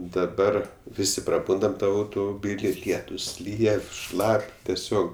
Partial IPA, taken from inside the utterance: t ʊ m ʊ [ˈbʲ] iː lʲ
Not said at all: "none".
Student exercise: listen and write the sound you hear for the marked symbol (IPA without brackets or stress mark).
bʲ